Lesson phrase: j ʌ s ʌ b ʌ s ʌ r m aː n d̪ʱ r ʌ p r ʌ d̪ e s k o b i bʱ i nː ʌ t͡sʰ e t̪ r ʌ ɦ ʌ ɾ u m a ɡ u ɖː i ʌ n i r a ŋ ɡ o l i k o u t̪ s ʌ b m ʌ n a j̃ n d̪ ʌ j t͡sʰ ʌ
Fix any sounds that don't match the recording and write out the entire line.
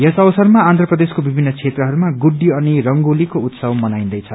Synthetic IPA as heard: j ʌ s ʌ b ʌ s ʌ r m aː n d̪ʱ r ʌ p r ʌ d̪ e s k o b i bʱ i nː ʌ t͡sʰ e t̪ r ʌ ɦ ʌ ɾ u m a ɡ u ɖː i ʌ n i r ʌ ŋ ɡ o l i k o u t̪ s ʌ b m ʌ n a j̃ n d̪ ʌ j t͡sʰ ʌ